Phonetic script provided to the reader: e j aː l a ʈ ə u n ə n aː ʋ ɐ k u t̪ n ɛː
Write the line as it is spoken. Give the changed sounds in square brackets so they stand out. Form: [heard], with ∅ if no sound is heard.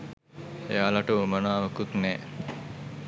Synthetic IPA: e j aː l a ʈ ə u [m] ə n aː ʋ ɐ k u t̪ n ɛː